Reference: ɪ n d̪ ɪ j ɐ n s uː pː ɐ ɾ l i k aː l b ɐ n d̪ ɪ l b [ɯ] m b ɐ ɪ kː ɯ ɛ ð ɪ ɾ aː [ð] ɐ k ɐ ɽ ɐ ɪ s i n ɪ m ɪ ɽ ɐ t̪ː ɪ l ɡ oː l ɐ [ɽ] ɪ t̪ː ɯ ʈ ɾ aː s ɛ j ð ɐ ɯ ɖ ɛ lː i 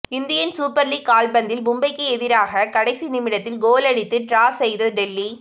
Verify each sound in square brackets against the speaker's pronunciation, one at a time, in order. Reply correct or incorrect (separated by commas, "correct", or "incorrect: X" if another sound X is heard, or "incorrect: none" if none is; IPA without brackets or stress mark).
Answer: incorrect: ʊ, incorrect: ɣ, correct